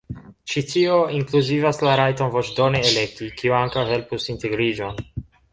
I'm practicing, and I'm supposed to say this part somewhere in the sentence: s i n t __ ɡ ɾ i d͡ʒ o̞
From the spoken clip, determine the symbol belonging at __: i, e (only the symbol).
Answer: e